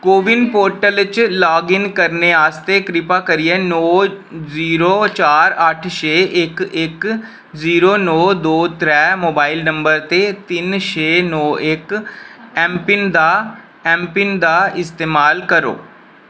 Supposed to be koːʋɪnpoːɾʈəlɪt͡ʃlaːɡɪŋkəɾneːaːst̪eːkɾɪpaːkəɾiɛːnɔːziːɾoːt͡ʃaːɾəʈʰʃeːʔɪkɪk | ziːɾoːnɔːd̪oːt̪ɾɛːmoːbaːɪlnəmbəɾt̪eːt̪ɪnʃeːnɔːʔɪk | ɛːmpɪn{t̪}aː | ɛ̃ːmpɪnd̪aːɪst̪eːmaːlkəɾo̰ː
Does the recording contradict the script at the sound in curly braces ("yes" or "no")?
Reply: yes